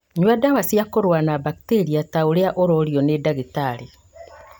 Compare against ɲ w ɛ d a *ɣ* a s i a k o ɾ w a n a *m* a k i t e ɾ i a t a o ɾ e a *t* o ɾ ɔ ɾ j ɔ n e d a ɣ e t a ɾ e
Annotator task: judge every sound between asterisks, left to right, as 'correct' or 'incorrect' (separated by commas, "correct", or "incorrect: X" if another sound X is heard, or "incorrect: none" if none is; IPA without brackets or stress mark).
incorrect: w, incorrect: b, incorrect: ʔ